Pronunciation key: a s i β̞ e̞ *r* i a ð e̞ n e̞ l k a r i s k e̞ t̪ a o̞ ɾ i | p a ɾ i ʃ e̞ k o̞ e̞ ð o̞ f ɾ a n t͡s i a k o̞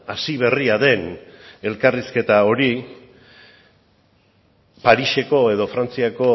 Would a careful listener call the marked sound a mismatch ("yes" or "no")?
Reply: no